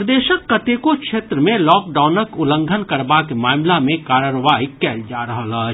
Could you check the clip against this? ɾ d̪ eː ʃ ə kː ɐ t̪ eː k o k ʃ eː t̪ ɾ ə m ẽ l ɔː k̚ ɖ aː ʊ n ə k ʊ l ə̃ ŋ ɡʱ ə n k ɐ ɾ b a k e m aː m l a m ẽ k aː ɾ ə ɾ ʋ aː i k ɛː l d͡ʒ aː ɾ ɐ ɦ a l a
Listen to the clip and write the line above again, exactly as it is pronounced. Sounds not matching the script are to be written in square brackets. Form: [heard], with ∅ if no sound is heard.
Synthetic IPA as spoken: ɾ d̪ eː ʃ ə kː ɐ t̪ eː k o k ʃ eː t̪ ɾ ə m ẽ l ɔː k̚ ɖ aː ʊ n ə k ʊ l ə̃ ŋ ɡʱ ə n k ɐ ɾ b a k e m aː m l a m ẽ k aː ɾ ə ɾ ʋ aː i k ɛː l d͡ʒ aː ɾ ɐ ɦ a l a